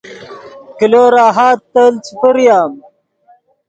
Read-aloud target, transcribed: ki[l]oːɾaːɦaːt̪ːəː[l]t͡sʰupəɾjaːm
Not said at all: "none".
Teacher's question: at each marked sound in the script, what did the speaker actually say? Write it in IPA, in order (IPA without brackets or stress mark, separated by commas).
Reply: l, l